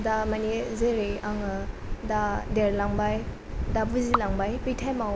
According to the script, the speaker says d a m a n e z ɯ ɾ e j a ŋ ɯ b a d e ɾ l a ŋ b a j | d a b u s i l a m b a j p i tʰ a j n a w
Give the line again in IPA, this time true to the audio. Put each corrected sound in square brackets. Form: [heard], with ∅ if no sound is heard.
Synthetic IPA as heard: d a m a n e z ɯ ɾ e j a ŋ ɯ [d] a d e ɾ l a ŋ b a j | d a b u [z] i l a [ŋ] b a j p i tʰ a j [m] a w